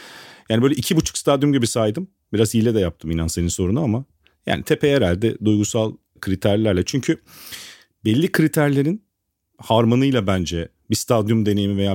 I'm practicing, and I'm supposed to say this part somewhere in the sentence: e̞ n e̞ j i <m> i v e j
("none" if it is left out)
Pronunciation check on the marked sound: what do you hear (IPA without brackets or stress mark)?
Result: m